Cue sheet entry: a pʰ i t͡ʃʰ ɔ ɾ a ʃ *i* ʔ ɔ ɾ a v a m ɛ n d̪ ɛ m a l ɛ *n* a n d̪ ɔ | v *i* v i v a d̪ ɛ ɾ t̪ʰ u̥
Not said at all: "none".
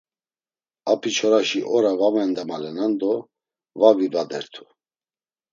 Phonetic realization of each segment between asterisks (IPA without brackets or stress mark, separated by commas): i, n, a